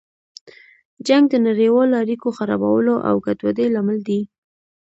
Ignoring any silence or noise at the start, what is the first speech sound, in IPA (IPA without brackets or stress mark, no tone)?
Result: d͡ʒ